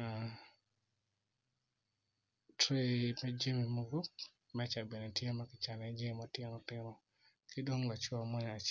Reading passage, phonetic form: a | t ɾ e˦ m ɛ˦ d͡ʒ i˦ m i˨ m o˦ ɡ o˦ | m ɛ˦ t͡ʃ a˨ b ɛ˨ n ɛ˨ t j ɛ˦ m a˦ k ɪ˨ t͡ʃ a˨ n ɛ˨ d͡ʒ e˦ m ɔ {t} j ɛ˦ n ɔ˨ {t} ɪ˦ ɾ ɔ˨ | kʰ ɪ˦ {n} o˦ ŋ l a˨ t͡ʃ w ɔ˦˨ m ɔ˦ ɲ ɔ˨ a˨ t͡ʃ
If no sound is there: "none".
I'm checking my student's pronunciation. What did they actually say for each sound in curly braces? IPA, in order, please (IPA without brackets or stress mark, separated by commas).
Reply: t, t, d